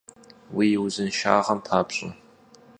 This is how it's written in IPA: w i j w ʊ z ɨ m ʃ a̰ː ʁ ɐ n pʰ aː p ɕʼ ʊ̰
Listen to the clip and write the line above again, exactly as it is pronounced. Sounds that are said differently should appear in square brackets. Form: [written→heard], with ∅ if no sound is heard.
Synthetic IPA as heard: w i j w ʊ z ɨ [m→n] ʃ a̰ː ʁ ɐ [n→m] pʰ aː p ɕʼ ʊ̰